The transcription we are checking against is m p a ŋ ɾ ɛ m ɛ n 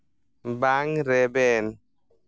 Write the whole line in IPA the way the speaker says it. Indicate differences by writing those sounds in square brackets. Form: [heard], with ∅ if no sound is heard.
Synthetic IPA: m [b] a ŋ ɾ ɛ [b] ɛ n